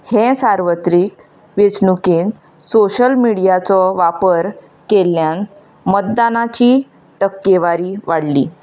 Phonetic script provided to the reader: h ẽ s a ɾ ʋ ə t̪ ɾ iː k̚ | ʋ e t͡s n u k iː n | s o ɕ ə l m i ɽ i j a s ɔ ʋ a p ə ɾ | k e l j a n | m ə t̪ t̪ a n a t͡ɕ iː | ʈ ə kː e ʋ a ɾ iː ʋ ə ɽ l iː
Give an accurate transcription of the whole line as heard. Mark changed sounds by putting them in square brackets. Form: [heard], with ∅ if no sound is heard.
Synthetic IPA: h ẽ s a ɾ ʋ ə t̪ ɾ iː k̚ | ʋ e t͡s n u k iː n | s o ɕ ə l m i ɽ i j a [t͡s] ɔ ʋ a p ə ɾ | k e l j a n | m ə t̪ [d̪] a n a t͡ɕ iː | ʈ ə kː e ʋ a ɾ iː ʋ [a] ɽ l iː